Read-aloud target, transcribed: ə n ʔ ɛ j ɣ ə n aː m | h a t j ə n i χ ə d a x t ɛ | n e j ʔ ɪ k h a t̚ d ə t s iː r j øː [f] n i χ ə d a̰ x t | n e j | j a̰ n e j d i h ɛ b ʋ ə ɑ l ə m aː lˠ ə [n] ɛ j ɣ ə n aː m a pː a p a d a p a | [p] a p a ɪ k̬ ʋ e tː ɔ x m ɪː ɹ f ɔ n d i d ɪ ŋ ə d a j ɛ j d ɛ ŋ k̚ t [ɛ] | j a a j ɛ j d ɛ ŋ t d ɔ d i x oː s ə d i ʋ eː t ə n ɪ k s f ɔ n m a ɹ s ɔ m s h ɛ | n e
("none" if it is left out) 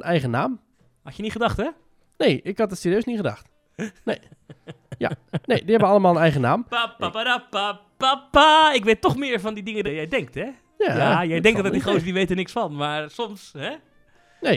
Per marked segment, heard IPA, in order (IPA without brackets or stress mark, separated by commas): s, n, p, ɛ